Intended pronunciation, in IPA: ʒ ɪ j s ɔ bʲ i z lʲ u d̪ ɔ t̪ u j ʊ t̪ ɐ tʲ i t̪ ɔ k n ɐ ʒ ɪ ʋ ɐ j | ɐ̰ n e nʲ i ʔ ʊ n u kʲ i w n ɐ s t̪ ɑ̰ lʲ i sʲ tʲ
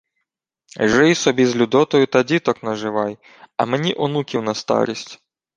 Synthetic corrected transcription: ʒ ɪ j s ɔ bʲ i z lʲ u d̪ ɔ t̪ ɔ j ʊ t̪ ɐ dʲ i t̪ ɔ k n ɐ ʒ ɪ ʋ ɑ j | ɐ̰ m e nʲ i ʔ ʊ n u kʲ i w n ɐ s t̪ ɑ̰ ɾʲ i sʲ tʲ